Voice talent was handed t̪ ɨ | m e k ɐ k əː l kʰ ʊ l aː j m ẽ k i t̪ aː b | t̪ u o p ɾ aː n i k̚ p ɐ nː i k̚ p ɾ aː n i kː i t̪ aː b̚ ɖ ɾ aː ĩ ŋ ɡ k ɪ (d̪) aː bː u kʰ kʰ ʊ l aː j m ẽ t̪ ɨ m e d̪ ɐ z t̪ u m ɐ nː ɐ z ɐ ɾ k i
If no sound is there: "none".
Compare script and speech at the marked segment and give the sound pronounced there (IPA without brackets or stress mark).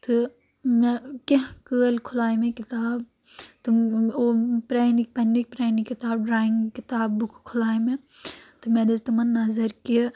t̪